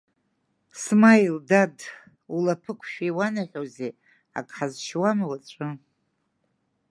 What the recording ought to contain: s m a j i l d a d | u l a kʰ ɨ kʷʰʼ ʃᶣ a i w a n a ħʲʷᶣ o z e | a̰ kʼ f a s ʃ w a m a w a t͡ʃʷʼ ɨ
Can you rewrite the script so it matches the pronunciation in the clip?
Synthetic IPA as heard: s m a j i l d a d | u l a pʰ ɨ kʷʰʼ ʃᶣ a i w a n a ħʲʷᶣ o z e | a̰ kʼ ħ a z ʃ w a m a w a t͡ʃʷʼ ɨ